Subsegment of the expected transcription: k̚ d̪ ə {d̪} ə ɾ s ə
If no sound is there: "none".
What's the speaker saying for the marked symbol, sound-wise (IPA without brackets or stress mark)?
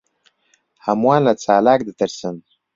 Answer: t̪